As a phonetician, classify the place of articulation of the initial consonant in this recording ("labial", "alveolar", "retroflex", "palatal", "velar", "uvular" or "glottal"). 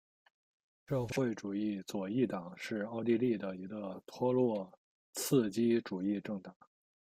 retroflex